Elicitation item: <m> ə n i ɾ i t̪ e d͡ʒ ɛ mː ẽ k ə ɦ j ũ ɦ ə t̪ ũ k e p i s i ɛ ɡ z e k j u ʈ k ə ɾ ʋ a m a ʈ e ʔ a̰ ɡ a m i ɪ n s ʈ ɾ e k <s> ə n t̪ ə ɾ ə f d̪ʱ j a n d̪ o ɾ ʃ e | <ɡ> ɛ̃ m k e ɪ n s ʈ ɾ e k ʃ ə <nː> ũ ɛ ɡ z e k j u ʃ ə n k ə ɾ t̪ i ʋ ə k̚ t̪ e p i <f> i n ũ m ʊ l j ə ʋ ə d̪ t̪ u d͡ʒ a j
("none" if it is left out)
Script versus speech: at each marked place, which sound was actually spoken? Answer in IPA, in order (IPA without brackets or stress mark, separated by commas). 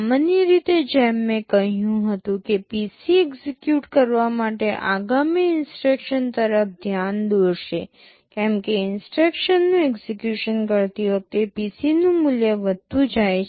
m, ʃ, k, nː, s